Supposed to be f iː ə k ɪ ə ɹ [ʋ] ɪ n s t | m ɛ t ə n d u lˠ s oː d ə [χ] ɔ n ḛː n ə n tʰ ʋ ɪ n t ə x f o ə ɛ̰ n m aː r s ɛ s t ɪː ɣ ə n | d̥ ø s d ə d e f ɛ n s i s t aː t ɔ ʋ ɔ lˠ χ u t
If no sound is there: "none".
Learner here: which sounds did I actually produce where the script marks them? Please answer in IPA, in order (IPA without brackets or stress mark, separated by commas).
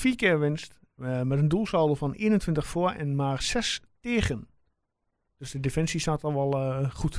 ʋ, f